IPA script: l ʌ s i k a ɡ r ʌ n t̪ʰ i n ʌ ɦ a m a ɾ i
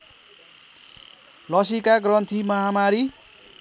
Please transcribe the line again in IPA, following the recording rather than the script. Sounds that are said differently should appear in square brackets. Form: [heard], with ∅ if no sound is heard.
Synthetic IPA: l ʌ s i k a ɡ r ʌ n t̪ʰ i [m] ʌ ɦ a m a ɾ i